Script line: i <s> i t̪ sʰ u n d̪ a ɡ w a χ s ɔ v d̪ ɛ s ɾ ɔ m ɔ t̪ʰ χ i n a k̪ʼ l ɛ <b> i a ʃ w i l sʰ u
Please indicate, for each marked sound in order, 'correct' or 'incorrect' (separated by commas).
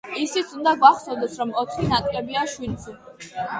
correct, correct